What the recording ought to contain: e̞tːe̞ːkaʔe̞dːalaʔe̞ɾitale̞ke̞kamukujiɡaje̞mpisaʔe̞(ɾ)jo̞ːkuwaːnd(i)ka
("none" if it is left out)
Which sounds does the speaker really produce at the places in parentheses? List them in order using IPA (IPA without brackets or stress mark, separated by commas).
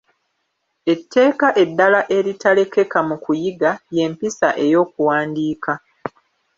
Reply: none, iː